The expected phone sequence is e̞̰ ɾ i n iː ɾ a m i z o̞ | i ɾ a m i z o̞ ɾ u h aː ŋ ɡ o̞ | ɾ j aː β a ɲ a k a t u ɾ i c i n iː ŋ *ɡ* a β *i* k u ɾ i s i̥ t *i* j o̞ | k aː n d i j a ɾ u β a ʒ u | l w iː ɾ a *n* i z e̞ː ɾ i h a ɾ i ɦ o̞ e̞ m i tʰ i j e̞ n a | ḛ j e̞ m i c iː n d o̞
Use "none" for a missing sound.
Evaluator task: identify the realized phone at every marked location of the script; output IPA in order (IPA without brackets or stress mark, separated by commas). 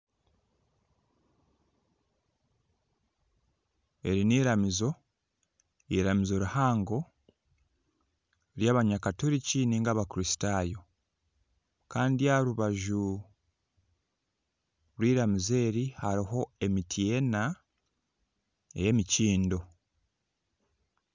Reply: ɡ, a, a, m